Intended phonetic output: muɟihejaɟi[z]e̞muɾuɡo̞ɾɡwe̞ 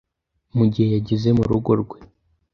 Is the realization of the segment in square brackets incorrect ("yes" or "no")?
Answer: no